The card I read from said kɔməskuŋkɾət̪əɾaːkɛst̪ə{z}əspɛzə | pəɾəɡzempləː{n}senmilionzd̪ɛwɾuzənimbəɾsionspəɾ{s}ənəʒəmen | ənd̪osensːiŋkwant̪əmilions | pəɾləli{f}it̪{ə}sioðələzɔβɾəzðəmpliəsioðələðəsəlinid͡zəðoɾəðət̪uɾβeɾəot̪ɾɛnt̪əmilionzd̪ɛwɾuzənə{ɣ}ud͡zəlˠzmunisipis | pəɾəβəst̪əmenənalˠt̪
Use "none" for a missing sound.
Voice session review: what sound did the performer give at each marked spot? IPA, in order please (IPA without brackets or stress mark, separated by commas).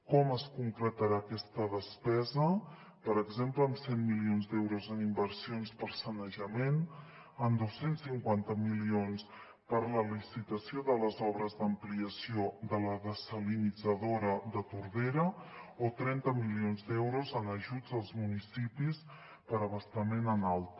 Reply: ð, m, s, s, ə, ʒ